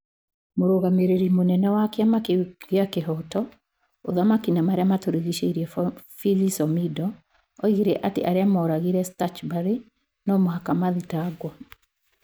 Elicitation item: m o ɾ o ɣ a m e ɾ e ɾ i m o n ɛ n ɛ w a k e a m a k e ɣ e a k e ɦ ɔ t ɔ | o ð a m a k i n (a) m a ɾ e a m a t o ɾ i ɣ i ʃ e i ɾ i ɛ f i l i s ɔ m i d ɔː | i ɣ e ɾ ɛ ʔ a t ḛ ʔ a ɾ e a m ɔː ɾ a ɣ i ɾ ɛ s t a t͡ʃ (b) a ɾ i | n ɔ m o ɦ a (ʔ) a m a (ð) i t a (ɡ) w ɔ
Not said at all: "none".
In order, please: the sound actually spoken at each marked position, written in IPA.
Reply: a, b, k, ð, ɡ

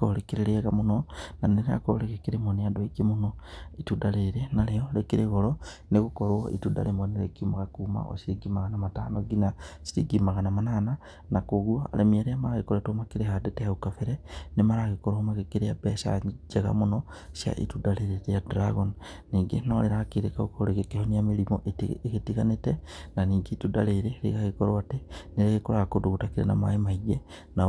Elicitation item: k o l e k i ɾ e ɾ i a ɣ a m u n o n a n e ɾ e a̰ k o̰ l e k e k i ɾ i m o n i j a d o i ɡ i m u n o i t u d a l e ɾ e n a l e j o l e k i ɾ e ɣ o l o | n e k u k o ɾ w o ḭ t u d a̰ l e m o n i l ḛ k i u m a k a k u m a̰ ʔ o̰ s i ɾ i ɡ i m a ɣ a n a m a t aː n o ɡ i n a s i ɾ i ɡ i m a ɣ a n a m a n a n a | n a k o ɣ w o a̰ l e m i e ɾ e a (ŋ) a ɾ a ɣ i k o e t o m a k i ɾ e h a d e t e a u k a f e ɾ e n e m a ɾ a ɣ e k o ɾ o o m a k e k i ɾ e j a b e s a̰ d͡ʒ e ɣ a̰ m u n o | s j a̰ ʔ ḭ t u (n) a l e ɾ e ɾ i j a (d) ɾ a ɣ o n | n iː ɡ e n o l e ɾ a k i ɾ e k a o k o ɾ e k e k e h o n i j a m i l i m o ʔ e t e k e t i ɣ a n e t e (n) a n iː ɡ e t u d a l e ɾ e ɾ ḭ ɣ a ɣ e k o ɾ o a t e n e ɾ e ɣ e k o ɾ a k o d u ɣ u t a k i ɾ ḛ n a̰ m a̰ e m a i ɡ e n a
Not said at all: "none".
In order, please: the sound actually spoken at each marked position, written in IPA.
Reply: m, d, d, n

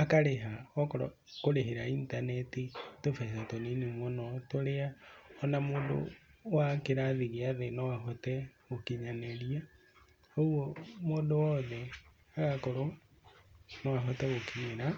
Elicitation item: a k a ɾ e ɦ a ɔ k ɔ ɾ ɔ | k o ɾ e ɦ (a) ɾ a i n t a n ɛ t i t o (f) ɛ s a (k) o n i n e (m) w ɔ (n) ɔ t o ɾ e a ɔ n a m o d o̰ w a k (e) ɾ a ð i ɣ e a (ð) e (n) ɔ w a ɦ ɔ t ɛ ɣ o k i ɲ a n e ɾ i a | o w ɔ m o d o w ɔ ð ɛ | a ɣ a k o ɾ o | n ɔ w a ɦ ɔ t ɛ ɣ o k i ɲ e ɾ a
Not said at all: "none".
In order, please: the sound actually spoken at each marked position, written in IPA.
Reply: e, f, t, m, n, e, ð, n

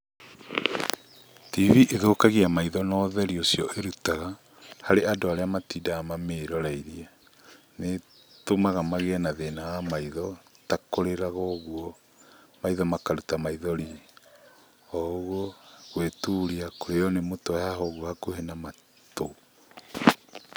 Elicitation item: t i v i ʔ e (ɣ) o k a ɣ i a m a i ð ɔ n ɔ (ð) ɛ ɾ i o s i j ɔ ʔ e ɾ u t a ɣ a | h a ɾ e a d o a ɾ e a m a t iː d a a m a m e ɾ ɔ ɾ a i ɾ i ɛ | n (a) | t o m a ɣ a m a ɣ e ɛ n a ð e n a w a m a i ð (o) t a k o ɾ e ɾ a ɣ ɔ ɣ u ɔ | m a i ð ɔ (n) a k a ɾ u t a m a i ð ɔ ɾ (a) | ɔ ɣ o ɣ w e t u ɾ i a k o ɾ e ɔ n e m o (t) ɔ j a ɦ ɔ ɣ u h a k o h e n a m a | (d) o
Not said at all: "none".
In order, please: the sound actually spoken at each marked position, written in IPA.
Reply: ð, ð, e, ɔ, m, i, t, t

